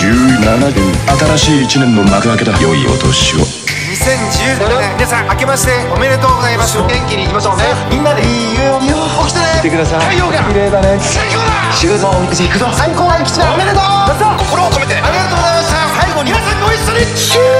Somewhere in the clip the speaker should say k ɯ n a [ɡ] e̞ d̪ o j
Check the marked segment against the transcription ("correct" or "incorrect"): incorrect